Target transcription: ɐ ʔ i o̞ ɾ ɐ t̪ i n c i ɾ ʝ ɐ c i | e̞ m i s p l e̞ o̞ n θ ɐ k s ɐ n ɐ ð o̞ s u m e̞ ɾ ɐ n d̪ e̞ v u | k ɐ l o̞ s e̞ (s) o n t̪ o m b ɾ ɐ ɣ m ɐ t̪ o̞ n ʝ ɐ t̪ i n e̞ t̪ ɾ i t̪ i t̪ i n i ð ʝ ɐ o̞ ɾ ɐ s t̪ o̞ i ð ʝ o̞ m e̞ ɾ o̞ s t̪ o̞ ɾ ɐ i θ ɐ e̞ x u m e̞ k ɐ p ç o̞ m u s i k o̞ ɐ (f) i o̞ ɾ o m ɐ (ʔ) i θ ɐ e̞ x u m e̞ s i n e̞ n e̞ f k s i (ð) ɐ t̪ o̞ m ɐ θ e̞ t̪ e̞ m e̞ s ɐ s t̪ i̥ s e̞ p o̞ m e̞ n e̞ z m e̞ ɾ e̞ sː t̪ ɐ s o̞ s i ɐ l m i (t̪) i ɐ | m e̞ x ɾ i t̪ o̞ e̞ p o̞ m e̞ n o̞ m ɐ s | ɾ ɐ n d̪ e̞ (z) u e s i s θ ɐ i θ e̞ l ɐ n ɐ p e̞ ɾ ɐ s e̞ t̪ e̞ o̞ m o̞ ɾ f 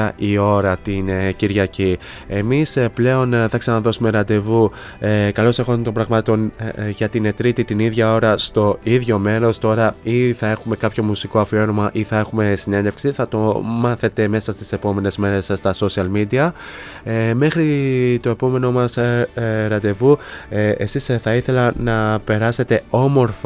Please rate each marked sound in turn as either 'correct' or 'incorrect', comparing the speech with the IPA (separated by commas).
incorrect, correct, correct, incorrect, incorrect, incorrect